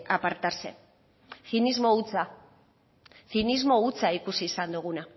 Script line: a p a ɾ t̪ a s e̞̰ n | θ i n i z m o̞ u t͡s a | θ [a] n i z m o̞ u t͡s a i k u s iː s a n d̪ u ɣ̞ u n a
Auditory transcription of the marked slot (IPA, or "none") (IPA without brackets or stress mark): i